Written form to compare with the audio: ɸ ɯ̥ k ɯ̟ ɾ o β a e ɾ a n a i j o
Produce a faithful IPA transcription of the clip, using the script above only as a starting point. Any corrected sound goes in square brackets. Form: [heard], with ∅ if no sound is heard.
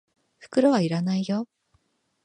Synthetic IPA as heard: ɸ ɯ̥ k ɯ̟ ɾ o β a [i] ɾ a n a i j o